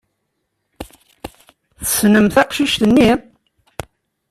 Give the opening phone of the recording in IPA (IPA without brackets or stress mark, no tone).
θ